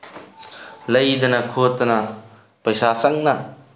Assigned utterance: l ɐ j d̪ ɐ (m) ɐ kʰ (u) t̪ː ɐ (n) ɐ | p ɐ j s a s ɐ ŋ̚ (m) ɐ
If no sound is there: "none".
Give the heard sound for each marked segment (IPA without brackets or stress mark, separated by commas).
n, o, n, n